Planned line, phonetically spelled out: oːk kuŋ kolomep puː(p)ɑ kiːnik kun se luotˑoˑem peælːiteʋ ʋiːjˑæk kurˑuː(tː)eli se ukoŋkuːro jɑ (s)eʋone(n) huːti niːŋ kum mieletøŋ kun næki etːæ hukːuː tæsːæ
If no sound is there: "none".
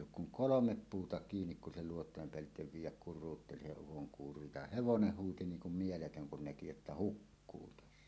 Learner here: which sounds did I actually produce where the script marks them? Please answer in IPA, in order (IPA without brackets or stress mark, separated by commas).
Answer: t, tː, h, n